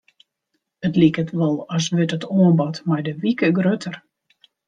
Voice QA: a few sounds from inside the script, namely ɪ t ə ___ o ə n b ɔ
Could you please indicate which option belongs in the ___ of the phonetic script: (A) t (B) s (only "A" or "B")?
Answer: A